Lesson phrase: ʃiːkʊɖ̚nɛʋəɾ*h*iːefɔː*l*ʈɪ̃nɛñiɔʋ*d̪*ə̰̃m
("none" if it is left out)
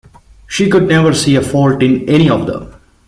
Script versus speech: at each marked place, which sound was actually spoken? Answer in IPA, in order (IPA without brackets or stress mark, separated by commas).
s, l, d̪